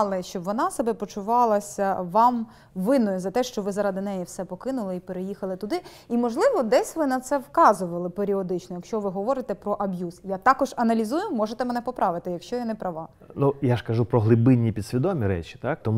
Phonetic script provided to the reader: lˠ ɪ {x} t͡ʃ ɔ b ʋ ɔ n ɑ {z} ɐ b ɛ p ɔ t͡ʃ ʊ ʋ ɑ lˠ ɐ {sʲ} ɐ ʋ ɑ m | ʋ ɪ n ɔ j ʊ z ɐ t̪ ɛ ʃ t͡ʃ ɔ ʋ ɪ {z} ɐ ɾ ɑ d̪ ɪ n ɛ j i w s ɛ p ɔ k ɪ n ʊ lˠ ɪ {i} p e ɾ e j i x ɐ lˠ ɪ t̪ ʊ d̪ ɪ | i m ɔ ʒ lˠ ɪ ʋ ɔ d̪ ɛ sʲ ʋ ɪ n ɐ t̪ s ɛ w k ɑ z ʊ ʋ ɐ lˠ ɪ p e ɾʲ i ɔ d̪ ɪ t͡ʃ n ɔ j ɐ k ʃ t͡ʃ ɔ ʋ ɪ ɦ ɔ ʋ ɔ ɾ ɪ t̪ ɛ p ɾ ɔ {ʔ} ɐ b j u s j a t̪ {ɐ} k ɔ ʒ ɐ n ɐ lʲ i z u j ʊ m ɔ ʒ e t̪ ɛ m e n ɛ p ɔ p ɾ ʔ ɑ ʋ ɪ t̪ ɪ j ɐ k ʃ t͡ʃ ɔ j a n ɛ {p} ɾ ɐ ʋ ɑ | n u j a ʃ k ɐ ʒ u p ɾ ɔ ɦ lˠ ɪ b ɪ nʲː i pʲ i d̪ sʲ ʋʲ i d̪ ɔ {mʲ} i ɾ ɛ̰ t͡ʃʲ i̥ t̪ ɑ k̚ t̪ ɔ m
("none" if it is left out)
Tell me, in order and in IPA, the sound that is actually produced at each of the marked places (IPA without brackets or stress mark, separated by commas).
ʃ, s, sʲ, z, i, ʔ, ɑ, p, mʲ